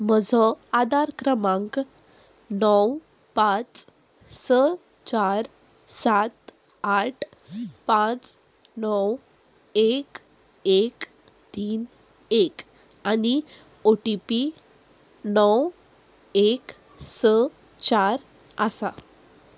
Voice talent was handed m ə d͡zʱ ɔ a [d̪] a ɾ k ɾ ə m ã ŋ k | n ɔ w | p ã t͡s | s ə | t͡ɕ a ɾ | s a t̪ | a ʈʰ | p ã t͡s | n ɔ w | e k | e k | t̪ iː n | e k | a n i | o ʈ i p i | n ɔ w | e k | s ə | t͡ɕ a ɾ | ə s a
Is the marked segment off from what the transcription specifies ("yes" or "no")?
no